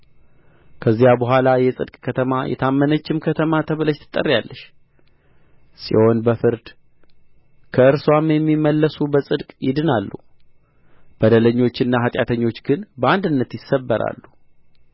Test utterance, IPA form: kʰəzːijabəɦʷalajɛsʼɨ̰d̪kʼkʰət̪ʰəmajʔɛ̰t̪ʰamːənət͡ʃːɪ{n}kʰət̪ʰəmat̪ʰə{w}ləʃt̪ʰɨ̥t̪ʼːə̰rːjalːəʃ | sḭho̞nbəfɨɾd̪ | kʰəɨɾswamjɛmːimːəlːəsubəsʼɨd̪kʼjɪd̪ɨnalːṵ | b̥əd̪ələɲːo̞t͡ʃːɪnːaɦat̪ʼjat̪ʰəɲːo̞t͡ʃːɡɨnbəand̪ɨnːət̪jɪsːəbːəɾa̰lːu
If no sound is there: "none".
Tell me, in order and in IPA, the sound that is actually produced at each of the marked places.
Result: m, β

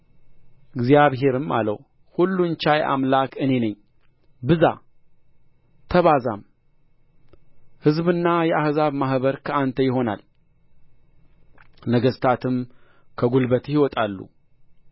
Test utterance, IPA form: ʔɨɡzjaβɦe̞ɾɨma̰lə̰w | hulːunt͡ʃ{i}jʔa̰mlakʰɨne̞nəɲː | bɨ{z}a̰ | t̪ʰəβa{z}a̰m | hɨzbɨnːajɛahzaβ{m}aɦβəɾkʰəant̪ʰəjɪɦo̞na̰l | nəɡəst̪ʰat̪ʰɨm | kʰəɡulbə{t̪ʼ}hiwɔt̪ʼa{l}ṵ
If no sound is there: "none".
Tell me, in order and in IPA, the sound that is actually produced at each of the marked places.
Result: a, z, z, m, t̪, lː

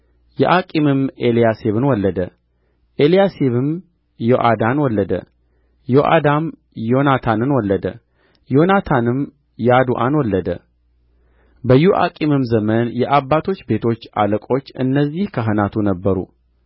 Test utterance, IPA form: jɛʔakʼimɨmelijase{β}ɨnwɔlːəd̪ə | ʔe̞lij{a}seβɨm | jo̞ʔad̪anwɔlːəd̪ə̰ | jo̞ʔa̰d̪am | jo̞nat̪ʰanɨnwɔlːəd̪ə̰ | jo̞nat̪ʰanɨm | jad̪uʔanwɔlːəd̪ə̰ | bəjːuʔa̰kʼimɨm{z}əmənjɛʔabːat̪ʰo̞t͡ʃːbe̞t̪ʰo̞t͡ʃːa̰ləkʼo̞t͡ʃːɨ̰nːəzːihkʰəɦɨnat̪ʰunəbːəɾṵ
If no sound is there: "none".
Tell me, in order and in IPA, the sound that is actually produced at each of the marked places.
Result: β, a, z

